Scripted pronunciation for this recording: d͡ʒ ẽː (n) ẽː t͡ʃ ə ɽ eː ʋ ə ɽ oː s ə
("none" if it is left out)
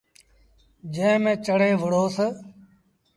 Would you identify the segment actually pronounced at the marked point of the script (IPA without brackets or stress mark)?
m